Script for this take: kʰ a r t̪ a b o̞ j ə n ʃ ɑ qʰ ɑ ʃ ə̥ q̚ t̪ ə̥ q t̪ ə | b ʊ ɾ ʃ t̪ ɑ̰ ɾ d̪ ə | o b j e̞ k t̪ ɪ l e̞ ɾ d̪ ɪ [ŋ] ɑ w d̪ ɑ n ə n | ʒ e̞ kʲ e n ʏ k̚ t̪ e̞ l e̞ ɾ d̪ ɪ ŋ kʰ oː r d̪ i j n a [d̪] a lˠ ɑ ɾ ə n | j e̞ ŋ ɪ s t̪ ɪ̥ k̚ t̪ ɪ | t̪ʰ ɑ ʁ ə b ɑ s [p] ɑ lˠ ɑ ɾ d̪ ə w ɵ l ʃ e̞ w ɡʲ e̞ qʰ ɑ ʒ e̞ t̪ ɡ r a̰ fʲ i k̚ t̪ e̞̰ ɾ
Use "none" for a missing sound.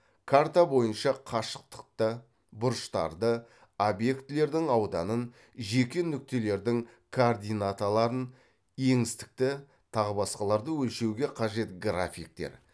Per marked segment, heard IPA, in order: ŋ, t̪, q

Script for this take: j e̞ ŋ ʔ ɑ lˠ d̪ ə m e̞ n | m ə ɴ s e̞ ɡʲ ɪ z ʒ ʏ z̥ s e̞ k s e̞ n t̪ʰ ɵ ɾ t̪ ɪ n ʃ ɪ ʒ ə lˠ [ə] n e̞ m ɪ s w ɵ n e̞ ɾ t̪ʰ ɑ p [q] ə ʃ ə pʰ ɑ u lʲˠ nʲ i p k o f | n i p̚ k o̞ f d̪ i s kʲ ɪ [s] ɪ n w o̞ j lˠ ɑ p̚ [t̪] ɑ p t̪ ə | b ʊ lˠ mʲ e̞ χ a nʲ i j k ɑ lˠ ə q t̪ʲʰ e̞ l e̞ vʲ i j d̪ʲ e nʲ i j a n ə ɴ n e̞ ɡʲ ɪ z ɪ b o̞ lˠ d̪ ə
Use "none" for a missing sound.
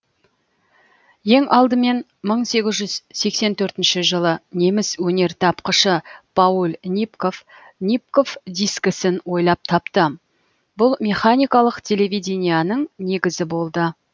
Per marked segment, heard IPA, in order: ə, q, s, t̪ʰ

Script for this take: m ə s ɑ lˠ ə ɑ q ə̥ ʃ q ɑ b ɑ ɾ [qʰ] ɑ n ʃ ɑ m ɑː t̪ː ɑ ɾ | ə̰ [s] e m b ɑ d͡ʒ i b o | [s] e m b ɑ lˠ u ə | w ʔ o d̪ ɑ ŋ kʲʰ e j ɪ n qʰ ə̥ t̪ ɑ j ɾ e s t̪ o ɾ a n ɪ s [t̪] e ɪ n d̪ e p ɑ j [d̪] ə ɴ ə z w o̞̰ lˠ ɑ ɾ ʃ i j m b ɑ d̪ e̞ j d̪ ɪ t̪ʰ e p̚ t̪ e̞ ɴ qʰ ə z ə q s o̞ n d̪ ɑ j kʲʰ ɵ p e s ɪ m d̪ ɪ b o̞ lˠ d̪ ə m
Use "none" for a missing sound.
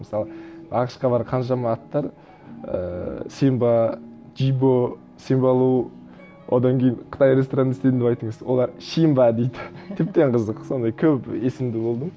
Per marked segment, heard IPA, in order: qʰ, s, s, t̪, t̪

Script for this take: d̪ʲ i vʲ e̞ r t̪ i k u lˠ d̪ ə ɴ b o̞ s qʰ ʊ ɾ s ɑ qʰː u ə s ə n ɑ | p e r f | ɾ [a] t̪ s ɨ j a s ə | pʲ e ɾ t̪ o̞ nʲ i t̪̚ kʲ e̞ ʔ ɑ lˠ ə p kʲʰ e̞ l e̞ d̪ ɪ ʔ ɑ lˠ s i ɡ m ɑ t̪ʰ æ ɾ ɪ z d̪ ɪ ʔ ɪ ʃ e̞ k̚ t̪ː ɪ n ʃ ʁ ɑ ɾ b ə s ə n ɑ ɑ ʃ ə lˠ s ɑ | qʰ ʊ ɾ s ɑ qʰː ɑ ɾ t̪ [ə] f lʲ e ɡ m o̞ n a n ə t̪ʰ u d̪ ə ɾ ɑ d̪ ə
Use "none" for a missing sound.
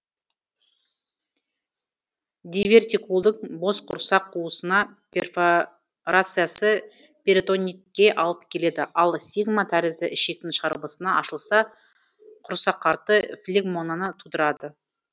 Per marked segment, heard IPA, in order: a, ə

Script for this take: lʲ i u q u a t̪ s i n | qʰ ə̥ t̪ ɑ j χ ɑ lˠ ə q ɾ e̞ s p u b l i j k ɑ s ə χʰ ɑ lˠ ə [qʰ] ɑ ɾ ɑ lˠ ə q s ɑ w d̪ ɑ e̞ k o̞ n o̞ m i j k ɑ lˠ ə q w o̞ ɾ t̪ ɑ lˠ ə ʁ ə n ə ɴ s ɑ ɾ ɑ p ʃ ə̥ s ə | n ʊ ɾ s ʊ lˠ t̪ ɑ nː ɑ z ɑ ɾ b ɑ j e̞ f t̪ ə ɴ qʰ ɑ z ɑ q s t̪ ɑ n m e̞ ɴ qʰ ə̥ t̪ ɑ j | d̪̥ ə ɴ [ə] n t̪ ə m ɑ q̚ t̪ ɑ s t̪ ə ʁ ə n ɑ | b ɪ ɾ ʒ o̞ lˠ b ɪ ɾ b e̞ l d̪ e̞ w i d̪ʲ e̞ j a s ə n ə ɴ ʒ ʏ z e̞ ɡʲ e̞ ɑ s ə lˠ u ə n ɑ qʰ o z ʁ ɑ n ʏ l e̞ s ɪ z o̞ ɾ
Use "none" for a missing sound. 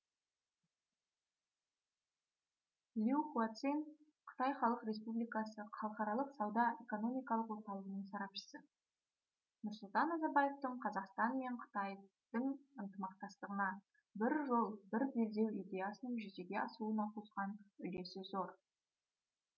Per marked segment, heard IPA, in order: q, ə

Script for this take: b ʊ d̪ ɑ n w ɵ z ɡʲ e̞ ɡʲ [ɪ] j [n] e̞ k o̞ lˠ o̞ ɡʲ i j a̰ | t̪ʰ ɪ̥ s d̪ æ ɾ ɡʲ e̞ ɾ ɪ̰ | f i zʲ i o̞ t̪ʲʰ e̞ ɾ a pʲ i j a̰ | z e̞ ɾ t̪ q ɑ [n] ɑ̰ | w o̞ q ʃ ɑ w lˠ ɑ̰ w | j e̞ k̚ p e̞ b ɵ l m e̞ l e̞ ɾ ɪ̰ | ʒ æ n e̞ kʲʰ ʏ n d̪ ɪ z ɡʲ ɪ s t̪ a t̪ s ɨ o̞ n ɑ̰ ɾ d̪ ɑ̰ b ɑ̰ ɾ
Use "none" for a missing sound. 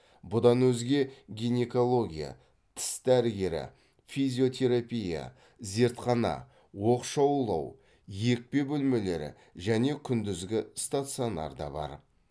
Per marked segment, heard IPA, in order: i, n, n

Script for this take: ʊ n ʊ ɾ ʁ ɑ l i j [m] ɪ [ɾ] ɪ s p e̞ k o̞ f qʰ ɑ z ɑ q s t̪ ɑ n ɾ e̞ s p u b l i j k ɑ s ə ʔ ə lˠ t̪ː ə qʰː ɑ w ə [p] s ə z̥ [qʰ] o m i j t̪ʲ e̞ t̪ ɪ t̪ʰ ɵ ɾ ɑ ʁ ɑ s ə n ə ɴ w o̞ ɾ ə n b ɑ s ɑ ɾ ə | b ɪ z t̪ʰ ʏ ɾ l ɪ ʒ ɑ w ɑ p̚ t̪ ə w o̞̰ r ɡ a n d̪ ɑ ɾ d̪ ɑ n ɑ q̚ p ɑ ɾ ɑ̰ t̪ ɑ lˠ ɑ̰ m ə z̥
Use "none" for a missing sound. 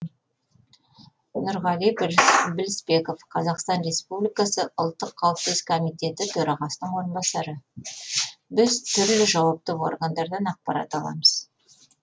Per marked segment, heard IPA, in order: b, l, p, kʰ

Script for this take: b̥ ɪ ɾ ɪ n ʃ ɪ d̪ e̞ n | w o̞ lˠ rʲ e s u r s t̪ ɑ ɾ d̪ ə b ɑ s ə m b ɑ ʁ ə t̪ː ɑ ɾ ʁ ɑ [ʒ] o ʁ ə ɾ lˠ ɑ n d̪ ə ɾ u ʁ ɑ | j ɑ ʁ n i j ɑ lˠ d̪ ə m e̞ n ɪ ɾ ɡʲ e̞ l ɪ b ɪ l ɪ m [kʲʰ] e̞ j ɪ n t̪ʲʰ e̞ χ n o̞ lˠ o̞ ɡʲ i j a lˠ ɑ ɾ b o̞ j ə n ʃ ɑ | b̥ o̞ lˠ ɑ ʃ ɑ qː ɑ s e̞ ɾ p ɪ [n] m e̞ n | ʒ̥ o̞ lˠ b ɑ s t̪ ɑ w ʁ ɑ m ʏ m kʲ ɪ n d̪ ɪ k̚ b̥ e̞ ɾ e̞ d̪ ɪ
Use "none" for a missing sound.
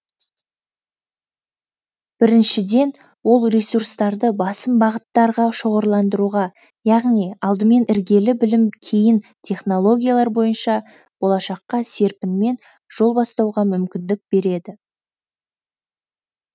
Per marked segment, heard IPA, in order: ʃ, kʲʰ, n

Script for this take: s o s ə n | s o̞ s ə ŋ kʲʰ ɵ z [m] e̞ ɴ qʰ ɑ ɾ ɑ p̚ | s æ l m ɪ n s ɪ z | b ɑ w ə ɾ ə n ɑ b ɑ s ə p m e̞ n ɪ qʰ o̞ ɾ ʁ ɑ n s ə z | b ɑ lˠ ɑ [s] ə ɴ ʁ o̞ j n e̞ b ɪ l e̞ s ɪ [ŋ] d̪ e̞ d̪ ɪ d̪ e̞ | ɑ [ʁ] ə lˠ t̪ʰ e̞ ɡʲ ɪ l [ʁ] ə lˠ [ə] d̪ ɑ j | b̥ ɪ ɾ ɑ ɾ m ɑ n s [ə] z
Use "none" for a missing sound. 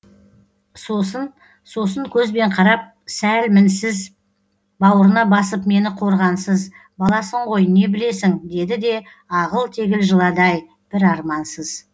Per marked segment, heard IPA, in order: b, s, ŋ, ʁ, ʒ, ɑ, ə

